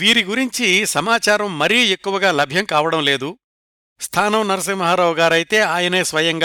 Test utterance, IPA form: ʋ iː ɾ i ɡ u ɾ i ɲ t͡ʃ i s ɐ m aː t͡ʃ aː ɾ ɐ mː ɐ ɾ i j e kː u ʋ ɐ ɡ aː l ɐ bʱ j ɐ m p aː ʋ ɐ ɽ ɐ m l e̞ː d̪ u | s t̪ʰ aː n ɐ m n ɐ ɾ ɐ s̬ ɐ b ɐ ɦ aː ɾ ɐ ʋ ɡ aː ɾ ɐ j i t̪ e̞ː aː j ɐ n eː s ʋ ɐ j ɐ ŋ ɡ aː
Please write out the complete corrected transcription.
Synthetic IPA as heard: ʋ iː ɾ i ɡ u ɾ i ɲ t͡ʃ i s ɐ m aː t͡ʃ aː ɾ ɐ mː ɐ ɾ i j e kː u ʋ ɐ ɡ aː l ɐ bʱ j ɐ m k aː ʋ ɐ ɽ ɐ m l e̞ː d̪ u | s t̪ʰ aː n ɐ m n ɐ ɾ ɐ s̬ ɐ m ɐ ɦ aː ɾ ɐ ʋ ɡ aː ɾ ɐ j i t̪ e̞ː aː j ɐ n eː s ʋ ɐ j ɐ ŋ ɡ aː